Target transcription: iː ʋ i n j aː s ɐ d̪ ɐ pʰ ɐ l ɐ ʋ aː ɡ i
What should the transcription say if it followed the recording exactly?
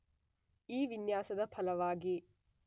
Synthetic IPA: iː ʋ i n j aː s ɐ d̪ ɐ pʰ ɐ l ɐ ʋ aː ɡ i